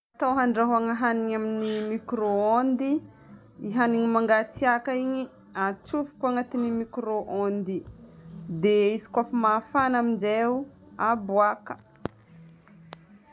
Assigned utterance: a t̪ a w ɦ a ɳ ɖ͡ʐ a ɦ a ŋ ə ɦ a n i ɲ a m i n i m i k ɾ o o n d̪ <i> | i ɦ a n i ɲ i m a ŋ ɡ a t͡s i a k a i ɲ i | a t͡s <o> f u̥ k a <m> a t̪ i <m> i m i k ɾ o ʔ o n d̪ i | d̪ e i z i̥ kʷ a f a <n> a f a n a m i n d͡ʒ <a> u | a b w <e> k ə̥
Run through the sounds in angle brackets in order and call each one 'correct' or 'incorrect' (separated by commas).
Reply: correct, incorrect, incorrect, incorrect, incorrect, incorrect, incorrect